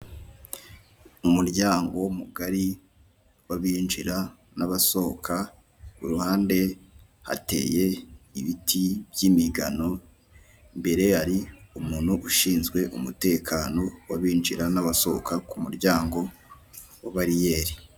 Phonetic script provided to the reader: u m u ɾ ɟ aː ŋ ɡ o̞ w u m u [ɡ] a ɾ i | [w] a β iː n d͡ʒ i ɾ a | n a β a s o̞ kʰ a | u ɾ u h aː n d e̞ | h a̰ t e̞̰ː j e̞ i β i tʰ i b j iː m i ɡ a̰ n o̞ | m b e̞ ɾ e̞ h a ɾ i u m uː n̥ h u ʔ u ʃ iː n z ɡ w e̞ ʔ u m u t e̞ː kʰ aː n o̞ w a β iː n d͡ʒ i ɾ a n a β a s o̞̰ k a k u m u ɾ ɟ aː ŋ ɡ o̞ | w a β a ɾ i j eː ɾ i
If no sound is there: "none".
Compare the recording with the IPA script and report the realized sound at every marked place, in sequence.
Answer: ɡ, w

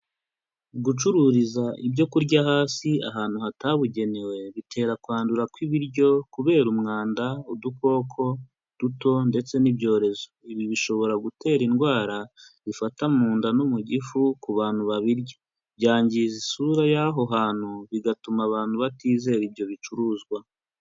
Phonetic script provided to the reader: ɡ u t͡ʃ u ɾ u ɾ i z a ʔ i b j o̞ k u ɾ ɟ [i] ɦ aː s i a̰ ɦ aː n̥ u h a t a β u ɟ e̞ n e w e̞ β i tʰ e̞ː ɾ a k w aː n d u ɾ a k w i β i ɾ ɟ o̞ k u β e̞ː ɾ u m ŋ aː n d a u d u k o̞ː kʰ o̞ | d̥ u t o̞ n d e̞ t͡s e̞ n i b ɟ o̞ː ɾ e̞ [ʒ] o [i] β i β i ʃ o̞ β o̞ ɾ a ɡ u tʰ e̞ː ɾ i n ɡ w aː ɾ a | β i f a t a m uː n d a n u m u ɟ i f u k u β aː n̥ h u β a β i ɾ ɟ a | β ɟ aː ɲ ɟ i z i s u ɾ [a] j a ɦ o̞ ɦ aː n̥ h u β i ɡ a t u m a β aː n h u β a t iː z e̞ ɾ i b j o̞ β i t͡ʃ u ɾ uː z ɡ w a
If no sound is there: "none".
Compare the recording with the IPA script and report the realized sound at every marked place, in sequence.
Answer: a, z, i, a

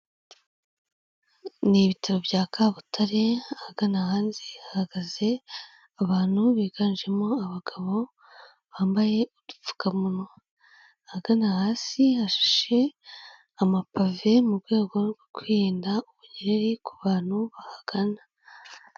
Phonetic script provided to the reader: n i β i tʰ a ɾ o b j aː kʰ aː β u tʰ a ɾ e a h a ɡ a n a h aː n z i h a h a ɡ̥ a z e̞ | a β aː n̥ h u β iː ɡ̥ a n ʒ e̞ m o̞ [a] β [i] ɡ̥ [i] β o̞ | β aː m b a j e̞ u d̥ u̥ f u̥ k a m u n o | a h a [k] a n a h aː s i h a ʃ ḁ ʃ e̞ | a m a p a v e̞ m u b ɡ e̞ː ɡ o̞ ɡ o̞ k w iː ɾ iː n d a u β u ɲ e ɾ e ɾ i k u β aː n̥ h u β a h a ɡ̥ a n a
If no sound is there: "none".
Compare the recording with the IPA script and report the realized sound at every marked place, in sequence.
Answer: a, a, a, ɡ

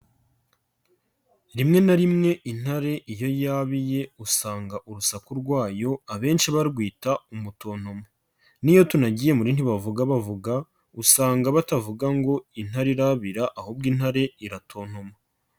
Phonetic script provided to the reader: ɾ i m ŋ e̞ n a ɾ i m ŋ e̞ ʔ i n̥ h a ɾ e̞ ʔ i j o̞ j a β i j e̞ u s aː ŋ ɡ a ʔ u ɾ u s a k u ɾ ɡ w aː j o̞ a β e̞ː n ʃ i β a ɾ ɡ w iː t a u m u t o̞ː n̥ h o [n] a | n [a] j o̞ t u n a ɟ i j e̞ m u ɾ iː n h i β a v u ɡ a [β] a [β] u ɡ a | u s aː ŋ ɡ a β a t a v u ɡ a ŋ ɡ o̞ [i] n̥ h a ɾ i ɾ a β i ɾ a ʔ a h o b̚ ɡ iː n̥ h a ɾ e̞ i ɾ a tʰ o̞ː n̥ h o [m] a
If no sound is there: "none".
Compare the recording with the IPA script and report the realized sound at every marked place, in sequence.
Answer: m, i, β, v, i, m

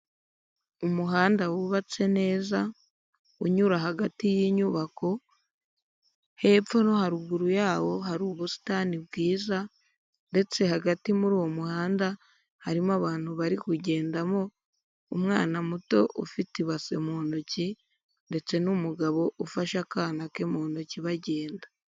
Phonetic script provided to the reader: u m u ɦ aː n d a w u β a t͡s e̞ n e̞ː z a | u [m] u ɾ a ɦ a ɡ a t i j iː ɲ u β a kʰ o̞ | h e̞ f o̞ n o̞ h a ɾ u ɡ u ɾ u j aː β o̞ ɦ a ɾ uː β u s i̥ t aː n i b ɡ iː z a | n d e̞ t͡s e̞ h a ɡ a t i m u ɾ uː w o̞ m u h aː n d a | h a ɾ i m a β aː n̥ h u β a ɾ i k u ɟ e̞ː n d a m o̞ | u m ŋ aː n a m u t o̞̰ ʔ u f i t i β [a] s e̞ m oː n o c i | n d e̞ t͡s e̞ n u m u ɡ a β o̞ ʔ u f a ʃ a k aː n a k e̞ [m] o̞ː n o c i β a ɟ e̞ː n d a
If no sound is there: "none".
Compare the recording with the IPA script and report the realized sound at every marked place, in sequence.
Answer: ɲ, a, m

